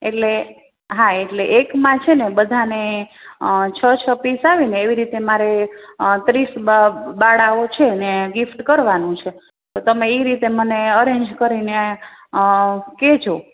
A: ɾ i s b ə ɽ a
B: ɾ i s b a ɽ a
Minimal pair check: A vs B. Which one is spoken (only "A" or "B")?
B